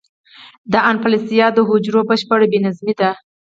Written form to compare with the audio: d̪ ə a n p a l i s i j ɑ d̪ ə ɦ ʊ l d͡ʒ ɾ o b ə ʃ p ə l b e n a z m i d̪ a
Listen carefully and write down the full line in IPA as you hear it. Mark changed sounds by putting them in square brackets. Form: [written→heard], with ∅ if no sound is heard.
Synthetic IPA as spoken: d̪ ə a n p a l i s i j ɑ d̪ ə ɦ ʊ [l→∅] d͡ʒ ɾ o b ə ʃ p ə [l→ɽ] b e n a z m i d̪ a